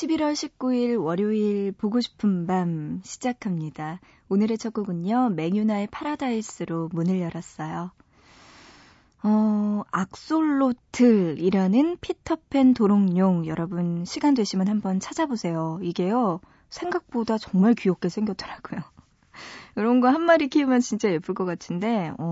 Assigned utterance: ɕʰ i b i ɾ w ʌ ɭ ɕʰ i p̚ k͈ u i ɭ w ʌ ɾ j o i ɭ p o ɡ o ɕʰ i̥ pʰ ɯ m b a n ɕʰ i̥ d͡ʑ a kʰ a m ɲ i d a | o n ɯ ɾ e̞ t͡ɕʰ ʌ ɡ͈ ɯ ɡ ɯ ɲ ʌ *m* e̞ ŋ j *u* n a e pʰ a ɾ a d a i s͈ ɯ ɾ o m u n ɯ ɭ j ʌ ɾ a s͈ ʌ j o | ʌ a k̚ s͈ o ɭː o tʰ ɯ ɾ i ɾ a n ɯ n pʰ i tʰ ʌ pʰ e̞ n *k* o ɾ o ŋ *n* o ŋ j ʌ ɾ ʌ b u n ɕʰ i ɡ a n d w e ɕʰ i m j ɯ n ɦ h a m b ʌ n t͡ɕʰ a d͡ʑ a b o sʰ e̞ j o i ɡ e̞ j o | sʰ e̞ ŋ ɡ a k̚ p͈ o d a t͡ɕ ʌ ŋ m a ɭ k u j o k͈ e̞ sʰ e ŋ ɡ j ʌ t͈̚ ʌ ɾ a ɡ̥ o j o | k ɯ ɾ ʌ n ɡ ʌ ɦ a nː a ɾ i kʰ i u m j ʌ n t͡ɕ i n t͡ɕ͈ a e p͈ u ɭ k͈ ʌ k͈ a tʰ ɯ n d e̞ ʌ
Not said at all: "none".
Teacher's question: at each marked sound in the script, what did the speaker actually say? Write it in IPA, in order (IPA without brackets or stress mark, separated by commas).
m, u, t, ɲ